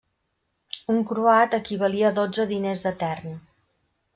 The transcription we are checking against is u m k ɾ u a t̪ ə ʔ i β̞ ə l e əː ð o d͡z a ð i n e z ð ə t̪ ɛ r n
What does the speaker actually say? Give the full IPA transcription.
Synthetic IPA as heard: u ŋ k ɾ u a t̪ ə k i β̞ ə l i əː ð o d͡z ə ð i n e z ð ə t̪ ɛ r n